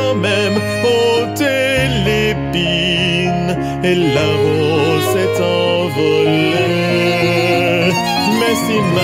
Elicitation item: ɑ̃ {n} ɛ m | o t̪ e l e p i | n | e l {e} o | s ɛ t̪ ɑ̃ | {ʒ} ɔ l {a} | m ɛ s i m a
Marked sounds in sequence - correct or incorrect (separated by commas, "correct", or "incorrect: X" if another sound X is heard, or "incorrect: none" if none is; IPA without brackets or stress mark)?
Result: incorrect: m, incorrect: a, incorrect: v, incorrect: e